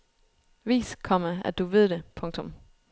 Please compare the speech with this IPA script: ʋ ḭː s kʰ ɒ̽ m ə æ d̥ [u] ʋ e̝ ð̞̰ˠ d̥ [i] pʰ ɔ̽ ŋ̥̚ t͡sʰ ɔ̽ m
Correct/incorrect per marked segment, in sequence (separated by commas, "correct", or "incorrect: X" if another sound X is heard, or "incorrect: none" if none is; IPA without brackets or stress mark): correct, incorrect: e